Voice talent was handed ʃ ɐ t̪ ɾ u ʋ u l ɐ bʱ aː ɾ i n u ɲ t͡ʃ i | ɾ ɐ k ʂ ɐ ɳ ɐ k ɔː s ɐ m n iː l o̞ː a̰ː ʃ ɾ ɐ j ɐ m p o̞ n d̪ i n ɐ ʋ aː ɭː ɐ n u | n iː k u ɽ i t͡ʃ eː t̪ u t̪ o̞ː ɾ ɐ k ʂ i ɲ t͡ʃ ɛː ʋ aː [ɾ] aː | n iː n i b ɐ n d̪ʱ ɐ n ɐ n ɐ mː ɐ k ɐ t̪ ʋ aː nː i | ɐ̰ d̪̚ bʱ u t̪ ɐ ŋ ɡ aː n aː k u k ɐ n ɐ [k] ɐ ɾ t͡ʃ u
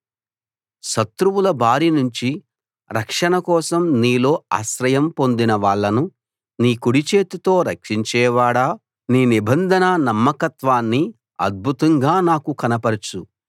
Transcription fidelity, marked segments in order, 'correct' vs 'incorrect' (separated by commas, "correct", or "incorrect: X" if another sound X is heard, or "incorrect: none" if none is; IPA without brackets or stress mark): incorrect: ɽ, incorrect: p